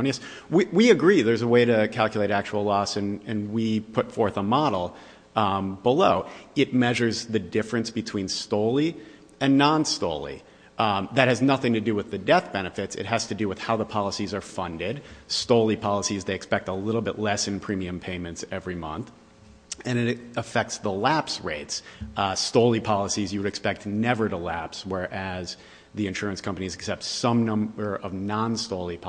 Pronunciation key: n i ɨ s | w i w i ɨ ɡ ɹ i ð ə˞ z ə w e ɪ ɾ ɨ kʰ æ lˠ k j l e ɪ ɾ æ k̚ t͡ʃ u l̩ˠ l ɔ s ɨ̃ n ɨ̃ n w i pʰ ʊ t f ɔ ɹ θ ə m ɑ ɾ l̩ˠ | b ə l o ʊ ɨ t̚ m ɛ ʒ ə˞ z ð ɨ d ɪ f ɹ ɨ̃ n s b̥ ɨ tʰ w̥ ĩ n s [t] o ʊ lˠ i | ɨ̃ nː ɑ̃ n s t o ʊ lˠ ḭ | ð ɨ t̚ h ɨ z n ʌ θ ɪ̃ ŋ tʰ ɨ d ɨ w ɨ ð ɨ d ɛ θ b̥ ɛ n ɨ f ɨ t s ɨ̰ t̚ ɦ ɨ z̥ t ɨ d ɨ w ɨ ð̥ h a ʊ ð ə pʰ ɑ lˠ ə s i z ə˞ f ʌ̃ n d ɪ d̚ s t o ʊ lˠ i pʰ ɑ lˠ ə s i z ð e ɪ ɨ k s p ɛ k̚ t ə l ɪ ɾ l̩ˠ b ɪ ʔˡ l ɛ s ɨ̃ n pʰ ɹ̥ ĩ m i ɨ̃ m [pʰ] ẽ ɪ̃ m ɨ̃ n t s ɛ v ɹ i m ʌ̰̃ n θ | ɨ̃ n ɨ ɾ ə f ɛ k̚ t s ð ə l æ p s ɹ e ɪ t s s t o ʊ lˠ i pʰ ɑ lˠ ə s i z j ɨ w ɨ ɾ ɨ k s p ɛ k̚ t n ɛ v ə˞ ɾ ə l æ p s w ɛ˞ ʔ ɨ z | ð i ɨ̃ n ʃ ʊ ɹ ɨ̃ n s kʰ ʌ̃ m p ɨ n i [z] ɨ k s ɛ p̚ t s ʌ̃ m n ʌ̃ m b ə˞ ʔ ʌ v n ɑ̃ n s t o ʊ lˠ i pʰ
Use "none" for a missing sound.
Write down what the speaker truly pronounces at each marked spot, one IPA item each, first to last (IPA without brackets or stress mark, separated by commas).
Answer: t, pʰ, z